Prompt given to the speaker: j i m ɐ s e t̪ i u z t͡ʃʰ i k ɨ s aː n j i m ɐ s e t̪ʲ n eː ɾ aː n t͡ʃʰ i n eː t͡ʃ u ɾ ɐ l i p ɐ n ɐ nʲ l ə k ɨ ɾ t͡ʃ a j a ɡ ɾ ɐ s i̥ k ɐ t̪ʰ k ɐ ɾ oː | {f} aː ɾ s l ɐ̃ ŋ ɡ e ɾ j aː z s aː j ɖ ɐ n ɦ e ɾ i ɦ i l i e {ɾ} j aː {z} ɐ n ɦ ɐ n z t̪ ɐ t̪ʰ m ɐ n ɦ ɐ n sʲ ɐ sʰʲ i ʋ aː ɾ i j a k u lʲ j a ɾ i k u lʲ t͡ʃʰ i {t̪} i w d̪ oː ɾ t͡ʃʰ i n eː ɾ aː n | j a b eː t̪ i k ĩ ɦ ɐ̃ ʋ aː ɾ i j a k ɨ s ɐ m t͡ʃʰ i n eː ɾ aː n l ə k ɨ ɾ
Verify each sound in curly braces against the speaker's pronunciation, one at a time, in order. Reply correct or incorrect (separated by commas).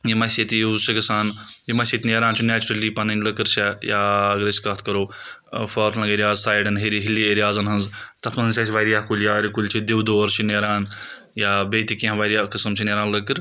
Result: correct, correct, correct, incorrect